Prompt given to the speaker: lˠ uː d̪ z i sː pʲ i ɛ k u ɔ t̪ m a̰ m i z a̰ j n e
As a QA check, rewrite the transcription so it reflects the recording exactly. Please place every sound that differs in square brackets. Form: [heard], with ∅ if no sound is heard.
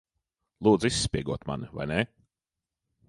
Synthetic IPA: lˠ uː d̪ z i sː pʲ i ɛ [ɡ] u ɔ t̪ m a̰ [n] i [v] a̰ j n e